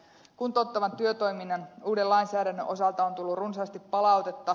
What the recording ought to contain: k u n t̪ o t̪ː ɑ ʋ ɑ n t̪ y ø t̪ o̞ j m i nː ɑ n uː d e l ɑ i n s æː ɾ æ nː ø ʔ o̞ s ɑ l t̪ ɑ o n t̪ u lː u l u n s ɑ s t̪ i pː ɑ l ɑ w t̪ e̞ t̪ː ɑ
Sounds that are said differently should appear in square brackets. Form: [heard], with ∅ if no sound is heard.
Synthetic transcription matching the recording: k u n t̪ o t̪ː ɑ ʋ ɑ n t̪ y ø t̪ o̞ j m i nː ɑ n uː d e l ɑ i n s æː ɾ æ nː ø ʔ o̞ s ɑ l t̪ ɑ o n t̪ u lː u [r] u n s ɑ s t̪ i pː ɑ l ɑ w t̪ e̞ t̪ː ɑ